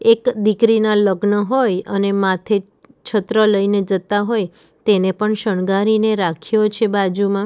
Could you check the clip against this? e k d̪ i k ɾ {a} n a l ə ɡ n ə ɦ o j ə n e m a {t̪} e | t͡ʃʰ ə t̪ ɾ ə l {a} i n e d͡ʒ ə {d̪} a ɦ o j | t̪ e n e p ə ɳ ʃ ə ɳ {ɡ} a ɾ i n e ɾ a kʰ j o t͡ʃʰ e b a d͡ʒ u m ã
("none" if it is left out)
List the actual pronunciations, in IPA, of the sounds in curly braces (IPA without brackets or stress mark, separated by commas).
i, t̪ʰ, ə, t̪, ɡ